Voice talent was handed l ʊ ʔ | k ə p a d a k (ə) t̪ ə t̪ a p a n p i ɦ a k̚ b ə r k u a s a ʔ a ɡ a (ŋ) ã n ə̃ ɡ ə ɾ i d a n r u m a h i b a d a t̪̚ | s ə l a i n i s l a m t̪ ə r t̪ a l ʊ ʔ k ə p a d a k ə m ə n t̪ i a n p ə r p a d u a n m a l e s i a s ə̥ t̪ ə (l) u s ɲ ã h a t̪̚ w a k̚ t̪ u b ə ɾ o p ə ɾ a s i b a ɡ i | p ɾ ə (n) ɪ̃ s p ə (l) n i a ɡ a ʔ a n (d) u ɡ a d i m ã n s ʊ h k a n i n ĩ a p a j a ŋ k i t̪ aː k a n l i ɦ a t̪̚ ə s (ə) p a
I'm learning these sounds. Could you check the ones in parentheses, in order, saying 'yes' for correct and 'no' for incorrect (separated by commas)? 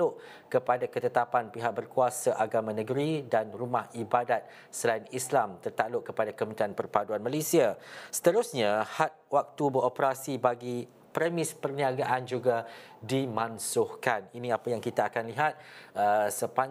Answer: yes, no, no, no, no, no, yes